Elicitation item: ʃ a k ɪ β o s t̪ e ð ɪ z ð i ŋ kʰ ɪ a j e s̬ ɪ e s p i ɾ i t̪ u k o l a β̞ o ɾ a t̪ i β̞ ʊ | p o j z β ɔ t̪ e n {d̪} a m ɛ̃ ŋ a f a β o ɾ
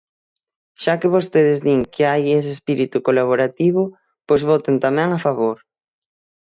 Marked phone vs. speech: incorrect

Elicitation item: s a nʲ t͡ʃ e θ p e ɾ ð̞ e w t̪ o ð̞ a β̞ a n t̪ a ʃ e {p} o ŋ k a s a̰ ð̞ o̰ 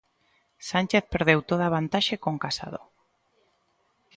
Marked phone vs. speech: incorrect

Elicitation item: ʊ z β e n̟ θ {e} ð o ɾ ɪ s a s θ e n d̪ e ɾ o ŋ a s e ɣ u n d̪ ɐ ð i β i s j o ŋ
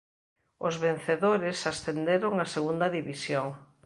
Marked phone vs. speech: correct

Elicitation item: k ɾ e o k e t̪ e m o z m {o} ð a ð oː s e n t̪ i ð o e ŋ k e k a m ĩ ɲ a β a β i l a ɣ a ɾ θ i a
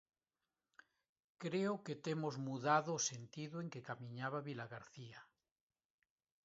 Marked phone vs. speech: incorrect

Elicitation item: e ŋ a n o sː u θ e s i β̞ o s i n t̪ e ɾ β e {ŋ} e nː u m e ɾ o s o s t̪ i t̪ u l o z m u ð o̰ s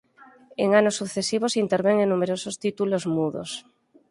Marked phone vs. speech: correct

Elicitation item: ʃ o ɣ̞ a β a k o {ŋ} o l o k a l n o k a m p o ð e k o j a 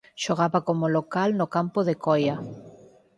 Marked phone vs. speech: incorrect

